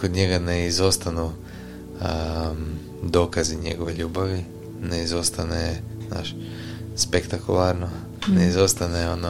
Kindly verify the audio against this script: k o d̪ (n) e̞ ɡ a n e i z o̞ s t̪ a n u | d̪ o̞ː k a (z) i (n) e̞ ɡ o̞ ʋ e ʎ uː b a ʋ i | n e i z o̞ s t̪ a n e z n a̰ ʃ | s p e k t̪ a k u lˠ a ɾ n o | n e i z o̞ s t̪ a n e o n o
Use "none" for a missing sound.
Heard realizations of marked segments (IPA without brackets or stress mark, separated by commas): ɲ, z, ɲ